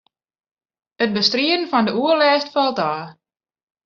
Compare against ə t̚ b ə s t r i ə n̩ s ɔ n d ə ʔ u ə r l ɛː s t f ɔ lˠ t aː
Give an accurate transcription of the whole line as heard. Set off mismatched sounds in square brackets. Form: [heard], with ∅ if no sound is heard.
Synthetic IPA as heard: ə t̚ b ə s t r i ə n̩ [f] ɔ n d ə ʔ u ə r l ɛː s t f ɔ lˠ t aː

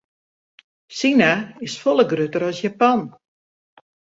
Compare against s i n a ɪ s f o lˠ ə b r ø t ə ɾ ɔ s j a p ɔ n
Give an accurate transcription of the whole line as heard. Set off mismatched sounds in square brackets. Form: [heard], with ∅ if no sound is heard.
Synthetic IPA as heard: s i n a ɪ s f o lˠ ə [ɡ] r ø t ə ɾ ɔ s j a p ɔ n

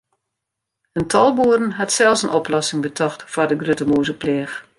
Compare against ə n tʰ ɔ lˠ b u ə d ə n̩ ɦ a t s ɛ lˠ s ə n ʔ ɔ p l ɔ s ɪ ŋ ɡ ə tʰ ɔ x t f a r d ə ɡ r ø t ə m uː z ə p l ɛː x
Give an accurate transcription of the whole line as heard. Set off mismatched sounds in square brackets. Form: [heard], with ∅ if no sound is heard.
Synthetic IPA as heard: ə n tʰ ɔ lˠ b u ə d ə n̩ ɦ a t s ɛ lˠ s ə n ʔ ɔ p l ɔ s ɪ ŋ [b] ə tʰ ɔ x t f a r d ə ɡ r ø t ə m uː z ə p l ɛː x

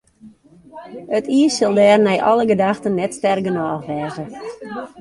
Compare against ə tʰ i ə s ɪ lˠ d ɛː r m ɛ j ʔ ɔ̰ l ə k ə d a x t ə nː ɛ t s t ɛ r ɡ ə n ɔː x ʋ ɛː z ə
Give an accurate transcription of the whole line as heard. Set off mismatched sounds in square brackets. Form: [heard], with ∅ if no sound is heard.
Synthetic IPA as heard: ə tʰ i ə s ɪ lˠ d ɛː r [n] ɛ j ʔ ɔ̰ l ə [ɡ] ə d a x t ə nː ɛ t s t ɛ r ɡ ə n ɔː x ʋ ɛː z ə

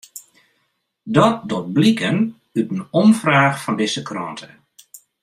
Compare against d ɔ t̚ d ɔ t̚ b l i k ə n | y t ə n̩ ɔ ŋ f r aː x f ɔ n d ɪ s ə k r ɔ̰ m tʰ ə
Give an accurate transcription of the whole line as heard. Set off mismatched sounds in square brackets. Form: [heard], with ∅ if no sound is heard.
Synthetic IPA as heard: d ɔ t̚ d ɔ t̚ b l i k ə n | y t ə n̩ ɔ [m] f r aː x f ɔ n d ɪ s ə k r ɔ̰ [n] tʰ ə

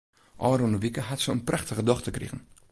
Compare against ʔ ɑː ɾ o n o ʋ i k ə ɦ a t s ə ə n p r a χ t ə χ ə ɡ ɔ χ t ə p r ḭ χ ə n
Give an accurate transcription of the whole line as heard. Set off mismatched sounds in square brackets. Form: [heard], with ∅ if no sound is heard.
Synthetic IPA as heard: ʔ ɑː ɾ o n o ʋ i k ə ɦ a t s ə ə n p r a χ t ə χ ə [d] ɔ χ t ə [k] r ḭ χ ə n

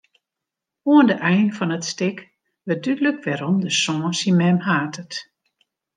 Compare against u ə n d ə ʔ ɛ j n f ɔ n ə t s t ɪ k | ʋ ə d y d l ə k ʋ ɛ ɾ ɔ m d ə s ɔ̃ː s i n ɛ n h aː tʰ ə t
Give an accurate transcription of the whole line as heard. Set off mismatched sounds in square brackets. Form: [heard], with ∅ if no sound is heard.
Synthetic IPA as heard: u ə n d ə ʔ ɛ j n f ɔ n ə t s t ɪ k | ʋ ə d y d l ə k ʋ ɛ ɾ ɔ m d ə s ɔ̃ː s i [m] ɛ [m] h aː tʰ ə t

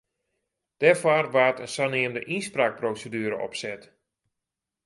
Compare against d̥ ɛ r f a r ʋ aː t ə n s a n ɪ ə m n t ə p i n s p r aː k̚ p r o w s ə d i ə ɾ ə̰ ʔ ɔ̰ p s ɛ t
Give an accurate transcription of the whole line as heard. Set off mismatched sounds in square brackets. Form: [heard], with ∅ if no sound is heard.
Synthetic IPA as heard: d̥ ɛ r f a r ʋ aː t ə n s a n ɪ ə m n [d] ə [ʔ] i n s p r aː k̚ p r o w s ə d [y] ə ɾ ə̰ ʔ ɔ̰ p s ɛ t

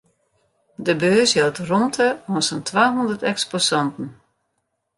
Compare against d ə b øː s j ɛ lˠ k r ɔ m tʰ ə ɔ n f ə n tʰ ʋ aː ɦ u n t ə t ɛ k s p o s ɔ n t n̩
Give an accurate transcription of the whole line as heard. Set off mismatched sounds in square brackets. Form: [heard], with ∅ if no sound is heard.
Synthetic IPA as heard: d ə b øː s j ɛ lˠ [t] r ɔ m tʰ ə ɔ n [s] ə n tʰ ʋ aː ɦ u n [d] ə t ɛ k s p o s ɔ n t n̩

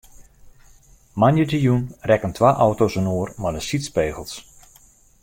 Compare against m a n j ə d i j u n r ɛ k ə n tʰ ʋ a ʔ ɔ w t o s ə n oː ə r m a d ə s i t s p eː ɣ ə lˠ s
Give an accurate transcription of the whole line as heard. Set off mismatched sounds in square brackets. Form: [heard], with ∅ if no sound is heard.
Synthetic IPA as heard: m a n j ə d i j u n r ɛ k ə n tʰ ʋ a ʔ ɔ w t o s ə n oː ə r m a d ə s i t s p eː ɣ ə lˠ s

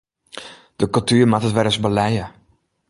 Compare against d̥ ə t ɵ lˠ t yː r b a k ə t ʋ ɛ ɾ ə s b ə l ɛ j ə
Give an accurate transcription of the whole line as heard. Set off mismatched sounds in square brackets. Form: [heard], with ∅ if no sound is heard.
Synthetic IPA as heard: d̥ ə [k] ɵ lˠ t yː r [m] a [t] ə t ʋ ɛ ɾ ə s b ə l ɛ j ə

